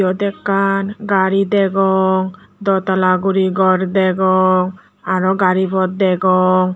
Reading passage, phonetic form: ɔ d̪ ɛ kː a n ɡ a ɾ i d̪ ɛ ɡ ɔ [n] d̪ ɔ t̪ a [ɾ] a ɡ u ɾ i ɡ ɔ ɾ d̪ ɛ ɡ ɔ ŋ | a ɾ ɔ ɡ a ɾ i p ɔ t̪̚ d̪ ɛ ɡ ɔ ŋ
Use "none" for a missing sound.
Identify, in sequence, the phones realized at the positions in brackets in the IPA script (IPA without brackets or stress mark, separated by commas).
ŋ, l